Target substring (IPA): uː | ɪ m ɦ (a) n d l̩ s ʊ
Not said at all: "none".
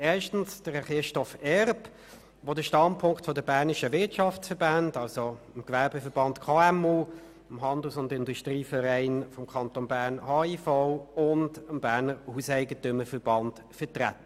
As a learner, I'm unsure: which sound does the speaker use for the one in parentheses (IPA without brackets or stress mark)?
ɑ